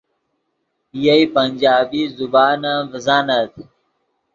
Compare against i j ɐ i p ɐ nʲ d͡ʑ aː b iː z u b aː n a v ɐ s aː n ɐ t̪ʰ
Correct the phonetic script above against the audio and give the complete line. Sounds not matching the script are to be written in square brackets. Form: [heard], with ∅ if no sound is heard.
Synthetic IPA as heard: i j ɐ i p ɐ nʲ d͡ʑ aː b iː z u b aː n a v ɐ [z] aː n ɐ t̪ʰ